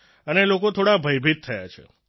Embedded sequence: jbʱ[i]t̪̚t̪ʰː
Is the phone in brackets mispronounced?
no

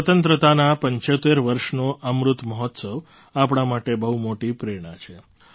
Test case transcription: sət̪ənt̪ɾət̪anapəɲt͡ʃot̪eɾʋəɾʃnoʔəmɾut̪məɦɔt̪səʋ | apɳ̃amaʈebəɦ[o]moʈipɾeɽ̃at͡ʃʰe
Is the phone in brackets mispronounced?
yes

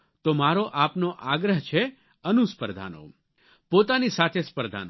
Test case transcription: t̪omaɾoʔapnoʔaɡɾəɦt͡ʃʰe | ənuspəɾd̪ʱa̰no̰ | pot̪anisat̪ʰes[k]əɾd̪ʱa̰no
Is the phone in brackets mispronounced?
yes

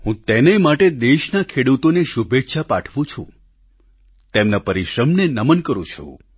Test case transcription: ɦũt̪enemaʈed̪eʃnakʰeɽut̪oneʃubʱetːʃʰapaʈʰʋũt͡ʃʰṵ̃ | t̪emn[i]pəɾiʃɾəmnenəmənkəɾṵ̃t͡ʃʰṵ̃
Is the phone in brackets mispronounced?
yes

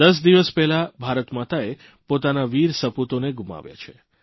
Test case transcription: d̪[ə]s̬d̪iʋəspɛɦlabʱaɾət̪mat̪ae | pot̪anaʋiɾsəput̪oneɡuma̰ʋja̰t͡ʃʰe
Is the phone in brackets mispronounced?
no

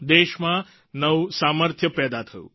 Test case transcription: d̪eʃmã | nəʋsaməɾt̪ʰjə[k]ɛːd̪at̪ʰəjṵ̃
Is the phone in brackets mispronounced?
yes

